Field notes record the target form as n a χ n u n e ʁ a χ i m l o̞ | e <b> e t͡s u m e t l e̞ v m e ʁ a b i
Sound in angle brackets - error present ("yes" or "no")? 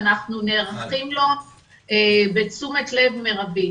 no